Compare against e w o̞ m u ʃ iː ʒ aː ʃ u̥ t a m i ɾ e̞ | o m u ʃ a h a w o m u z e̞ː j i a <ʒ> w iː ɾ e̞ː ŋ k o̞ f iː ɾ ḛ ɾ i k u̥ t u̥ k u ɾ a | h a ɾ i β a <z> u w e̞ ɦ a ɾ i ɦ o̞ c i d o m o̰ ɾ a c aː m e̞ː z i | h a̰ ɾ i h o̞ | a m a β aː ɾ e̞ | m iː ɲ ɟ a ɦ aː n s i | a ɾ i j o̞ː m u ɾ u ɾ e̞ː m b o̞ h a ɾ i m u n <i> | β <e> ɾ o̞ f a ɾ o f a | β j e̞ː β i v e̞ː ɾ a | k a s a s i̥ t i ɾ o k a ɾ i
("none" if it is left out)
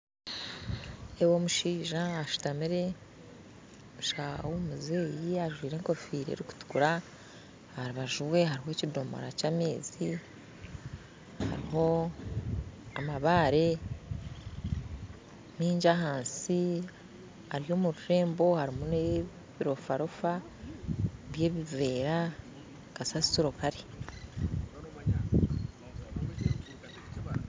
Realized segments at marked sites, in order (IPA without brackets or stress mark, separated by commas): ʒ, ʒ, e, i